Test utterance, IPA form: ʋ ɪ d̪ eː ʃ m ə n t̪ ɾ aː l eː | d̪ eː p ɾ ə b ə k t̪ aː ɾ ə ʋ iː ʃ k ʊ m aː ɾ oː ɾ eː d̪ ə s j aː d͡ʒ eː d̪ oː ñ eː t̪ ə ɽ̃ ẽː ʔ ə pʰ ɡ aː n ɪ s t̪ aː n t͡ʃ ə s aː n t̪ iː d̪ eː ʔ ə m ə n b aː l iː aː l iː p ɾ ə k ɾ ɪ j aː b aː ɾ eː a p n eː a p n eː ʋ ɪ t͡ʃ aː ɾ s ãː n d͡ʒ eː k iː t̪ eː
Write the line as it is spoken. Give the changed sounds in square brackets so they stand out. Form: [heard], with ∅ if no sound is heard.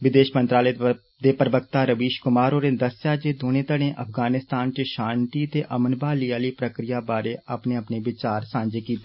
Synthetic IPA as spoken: ʋ ɪ d̪ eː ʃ m ə n t̪ ɾ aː l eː | d̪ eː p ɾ ə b ə k t̪ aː ɾ ə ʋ iː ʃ k ʊ m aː ɾ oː ɾ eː d̪ ə s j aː d͡ʒ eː d̪ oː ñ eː t̪ ə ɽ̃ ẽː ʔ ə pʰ ɡ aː n ɪ s t̪ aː n t͡ʃ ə [ʃ] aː n t̪ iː [t̪] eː ʔ ə m ə n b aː l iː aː l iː p ɾ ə k ɾ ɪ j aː b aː ɾ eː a p n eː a p n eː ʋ ɪ t͡ʃ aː ɾ s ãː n d͡ʒ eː k iː t̪ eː